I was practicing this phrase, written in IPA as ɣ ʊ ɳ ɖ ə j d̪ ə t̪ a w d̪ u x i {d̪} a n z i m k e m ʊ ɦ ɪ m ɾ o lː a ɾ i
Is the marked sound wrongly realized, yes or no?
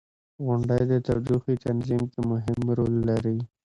yes